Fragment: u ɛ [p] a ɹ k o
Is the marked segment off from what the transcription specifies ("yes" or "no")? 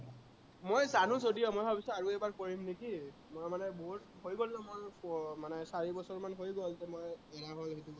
yes